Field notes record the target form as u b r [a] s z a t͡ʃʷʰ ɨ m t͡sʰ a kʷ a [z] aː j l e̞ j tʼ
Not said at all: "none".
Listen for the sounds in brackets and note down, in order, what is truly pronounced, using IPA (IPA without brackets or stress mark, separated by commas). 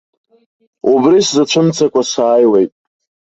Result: i, s